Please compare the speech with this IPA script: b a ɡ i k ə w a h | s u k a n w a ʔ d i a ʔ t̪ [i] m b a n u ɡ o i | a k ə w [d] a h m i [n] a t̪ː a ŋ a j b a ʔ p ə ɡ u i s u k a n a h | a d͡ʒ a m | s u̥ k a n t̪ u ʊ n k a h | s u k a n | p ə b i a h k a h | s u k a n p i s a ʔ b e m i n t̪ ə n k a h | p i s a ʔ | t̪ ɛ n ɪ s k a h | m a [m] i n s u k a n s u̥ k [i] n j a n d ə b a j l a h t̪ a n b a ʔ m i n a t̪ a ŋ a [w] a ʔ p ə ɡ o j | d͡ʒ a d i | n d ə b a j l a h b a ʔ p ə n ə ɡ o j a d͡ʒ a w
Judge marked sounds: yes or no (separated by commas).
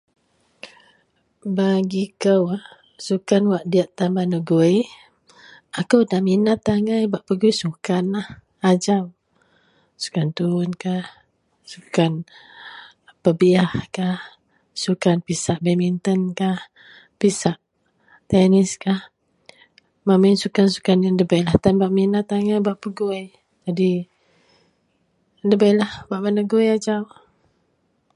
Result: no, yes, yes, yes, no, no